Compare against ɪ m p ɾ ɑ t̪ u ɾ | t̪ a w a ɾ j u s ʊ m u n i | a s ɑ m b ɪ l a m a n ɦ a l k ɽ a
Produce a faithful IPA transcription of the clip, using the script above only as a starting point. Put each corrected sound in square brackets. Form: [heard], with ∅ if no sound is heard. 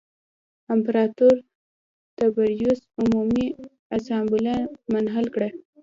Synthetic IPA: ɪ m p ɾ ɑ t̪ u ɾ | t̪ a [b] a ɾ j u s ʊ m u [m] i | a s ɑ m b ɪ l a m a n ɦ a l k ɽ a